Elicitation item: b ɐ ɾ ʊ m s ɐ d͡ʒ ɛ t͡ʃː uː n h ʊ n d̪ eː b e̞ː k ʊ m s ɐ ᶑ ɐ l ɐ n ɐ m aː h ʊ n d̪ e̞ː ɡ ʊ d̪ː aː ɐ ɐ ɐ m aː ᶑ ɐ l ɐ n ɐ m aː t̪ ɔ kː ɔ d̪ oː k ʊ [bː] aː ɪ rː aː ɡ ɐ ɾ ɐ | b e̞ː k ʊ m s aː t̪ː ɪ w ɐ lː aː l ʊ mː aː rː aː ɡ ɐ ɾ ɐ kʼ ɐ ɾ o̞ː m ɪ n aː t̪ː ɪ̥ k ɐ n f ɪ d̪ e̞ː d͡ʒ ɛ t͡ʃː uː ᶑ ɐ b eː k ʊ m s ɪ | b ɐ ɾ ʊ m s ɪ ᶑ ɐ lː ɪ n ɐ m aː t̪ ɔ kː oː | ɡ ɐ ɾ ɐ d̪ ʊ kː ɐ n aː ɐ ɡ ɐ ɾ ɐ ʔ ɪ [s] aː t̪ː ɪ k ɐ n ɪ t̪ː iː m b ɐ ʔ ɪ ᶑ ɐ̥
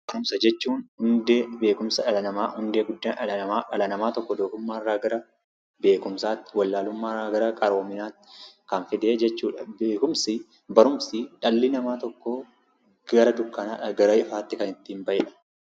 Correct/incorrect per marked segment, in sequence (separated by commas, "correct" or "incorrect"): incorrect, incorrect